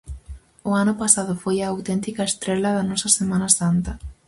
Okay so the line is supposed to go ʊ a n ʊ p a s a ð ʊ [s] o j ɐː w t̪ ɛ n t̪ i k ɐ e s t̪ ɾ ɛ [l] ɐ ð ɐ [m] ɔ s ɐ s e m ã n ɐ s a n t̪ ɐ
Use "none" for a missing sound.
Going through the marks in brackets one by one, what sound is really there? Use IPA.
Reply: f, l, n

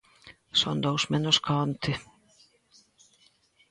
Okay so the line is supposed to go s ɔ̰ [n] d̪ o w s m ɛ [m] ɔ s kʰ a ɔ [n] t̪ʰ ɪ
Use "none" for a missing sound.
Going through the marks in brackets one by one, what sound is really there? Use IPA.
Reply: n, n, n

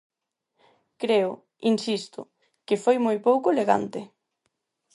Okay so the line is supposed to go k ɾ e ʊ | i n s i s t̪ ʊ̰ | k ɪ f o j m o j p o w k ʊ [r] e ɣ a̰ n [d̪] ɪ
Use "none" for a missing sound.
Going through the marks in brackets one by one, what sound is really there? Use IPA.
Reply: l, t̪

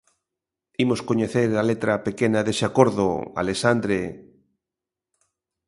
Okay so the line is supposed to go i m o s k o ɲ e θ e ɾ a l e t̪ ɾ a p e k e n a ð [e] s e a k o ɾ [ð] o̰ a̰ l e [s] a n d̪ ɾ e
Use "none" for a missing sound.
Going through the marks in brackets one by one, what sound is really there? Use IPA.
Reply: e, ð, s

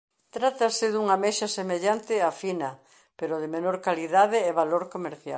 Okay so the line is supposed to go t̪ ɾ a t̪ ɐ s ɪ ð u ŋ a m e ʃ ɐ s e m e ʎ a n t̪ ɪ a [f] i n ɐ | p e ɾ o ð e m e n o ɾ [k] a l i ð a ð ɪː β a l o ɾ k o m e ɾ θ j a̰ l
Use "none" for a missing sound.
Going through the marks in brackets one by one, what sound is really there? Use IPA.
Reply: f, k

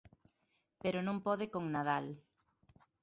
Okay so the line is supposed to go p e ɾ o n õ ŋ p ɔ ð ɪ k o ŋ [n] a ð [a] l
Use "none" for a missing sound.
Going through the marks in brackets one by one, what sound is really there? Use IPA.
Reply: n, a

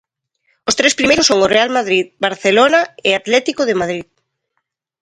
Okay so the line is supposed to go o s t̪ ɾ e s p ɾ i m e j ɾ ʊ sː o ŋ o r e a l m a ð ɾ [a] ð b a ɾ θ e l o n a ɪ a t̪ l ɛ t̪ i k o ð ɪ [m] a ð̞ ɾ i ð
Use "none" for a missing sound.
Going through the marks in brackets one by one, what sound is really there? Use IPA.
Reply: i, m

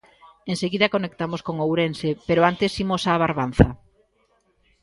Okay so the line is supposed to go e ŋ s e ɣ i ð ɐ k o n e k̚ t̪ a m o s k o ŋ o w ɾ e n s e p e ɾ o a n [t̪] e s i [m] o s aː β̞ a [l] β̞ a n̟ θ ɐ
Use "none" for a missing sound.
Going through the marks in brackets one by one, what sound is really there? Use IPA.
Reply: t̪, m, ɾ

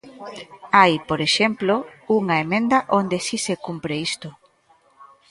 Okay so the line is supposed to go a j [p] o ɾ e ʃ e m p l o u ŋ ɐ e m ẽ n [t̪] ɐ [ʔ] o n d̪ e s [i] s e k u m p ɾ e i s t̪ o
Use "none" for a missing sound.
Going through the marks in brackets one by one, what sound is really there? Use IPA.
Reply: p, d̪, ʔ, i

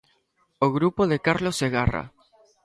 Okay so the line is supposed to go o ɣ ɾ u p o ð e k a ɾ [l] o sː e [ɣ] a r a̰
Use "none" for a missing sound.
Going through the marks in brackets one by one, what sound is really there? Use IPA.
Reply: l, ɣ

